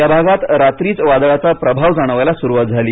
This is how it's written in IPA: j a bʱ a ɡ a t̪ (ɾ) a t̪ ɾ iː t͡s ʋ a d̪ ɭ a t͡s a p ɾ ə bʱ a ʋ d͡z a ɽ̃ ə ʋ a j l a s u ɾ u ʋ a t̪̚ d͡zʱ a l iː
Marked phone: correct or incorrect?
correct